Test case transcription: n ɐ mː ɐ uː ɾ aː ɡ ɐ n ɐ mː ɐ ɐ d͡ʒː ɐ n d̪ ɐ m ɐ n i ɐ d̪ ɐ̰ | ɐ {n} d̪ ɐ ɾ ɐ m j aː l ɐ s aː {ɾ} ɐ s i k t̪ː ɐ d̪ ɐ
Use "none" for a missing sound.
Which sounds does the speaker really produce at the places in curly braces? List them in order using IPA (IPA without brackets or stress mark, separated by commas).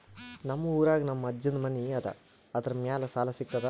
none, l